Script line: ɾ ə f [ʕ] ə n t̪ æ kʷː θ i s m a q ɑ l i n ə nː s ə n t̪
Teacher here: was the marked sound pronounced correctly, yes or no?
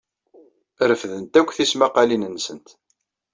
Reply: no